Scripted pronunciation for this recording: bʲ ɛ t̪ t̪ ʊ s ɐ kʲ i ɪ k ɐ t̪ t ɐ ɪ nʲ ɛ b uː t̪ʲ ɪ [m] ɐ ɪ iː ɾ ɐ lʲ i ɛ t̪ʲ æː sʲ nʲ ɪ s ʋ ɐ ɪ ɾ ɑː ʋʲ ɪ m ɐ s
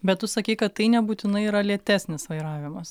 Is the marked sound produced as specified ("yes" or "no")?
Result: no